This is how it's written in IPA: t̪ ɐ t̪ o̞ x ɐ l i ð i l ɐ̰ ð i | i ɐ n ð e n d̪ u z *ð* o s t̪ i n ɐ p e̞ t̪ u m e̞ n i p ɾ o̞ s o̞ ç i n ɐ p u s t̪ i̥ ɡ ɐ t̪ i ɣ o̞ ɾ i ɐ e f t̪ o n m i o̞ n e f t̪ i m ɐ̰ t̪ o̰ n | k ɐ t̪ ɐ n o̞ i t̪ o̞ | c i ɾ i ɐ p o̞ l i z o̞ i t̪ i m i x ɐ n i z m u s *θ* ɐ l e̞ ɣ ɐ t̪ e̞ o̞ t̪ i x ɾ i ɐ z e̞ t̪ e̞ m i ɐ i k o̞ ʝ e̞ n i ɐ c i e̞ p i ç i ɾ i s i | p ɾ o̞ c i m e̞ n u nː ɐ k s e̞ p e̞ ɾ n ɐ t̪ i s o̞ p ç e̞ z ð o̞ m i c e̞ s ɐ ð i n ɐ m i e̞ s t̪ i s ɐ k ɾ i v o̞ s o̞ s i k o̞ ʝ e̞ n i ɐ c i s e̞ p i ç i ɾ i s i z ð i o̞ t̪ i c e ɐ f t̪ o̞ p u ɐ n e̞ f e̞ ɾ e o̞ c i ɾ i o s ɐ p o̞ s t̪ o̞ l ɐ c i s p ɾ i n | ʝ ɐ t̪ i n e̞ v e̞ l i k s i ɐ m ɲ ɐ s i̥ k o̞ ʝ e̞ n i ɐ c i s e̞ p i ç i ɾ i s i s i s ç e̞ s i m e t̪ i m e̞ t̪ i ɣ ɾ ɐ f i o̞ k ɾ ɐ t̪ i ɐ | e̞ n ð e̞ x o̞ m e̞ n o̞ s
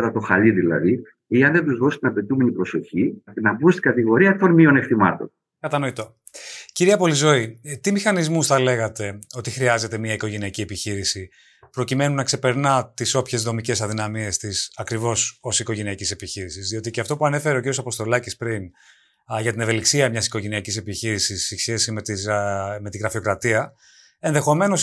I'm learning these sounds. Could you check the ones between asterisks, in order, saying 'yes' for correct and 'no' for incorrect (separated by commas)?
yes, yes